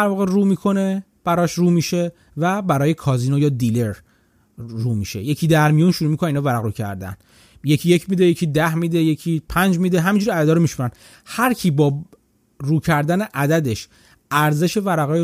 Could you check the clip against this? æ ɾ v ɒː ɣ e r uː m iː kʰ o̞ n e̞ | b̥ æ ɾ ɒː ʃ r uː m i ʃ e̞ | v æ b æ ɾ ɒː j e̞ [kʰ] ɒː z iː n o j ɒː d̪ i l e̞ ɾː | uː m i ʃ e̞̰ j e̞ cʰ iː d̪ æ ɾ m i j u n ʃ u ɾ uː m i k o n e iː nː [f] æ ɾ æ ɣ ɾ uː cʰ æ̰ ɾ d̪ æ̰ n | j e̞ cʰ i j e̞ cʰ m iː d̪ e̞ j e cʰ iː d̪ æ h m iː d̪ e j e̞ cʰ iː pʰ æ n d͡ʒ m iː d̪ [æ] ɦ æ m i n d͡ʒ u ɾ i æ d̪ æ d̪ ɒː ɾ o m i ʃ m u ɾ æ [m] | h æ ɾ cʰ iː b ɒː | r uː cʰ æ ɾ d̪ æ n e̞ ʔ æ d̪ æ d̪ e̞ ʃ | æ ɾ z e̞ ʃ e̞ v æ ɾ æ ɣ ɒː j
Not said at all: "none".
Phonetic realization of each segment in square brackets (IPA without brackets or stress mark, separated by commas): kʰ, v, e, n